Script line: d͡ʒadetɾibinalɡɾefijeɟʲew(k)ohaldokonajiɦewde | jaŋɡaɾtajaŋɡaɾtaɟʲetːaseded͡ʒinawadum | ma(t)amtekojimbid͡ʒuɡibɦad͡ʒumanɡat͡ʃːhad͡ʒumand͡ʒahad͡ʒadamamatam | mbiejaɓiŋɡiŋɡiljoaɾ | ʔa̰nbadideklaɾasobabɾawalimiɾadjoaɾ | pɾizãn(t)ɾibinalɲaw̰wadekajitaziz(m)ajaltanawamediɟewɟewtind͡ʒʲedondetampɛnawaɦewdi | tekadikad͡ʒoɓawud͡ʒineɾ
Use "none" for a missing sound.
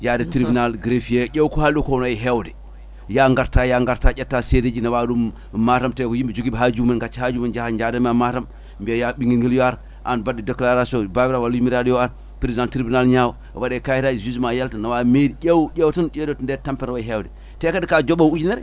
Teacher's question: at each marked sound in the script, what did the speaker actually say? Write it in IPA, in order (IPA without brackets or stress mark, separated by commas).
k, t, t, m